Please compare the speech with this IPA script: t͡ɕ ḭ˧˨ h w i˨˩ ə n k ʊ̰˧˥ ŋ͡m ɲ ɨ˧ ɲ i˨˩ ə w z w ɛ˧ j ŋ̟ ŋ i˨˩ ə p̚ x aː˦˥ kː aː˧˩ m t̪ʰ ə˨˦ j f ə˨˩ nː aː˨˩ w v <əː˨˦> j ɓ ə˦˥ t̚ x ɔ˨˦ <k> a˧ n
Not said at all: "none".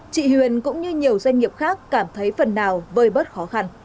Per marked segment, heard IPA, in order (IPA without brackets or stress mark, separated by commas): əː˧˩, x